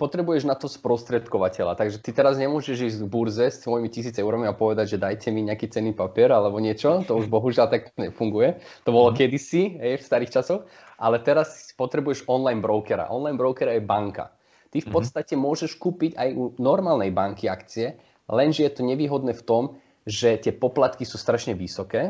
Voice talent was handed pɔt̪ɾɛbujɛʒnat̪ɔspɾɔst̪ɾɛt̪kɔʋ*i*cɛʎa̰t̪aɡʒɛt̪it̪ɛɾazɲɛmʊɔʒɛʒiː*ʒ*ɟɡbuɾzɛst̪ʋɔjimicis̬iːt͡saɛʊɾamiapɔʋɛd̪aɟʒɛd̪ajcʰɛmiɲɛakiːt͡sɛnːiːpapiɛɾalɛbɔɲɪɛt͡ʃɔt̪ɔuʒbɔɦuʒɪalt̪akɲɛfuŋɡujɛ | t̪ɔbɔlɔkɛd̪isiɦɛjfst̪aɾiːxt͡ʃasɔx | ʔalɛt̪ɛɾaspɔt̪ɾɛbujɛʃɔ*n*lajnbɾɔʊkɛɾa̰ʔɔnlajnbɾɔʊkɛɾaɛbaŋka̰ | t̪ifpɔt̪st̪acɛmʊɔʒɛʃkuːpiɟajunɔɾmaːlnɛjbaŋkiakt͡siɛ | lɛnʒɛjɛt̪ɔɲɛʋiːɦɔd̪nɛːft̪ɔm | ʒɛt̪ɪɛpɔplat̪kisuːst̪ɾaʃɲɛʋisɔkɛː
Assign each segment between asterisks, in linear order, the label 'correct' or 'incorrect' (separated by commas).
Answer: incorrect, incorrect, correct